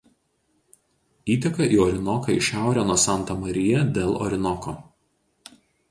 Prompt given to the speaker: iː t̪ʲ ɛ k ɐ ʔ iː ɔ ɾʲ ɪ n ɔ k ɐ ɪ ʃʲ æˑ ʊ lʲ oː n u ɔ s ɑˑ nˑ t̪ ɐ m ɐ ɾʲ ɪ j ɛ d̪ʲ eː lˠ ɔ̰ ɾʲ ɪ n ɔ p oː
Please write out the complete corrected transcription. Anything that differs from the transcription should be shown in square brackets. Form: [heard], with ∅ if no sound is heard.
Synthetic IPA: iː t̪ʲ ɛ k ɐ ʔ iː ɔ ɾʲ ɪ n ɔ k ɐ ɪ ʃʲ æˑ ʊ [ɾʲ] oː n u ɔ s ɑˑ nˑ t̪ ɐ m ɐ ɾʲ ɪ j ɛ d̪ʲ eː lˠ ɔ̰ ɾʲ ɪ n ɔ [k] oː